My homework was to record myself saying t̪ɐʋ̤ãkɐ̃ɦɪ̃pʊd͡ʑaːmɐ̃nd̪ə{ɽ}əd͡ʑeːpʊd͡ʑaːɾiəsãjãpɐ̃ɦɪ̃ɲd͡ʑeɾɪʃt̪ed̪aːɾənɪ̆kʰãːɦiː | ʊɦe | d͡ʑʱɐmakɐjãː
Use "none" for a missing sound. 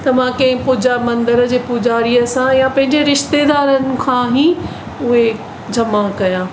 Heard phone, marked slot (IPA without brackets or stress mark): ɾ